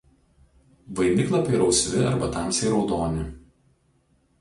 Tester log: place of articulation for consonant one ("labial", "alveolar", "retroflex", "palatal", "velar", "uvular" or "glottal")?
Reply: labial